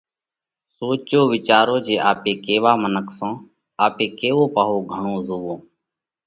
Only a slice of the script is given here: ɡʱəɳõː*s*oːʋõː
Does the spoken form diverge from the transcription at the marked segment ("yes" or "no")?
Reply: yes